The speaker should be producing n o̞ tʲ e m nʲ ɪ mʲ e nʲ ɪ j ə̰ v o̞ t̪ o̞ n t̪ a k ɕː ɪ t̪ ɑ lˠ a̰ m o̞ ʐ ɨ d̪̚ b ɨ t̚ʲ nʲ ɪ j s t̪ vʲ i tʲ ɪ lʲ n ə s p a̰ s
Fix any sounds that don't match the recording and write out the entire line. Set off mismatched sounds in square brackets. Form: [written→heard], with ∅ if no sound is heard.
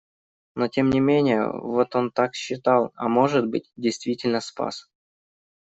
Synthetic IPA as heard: n o̞ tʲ e m nʲ ɪ mʲ e nʲ ɪ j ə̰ v o̞ t̪ o̞ n t̪ a k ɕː ɪ t̪ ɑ lˠ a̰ m o̞ ʐ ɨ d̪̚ b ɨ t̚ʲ [nʲ→dʲ] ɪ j s t̪ vʲ i tʲ ɪ lʲ n ə s p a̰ s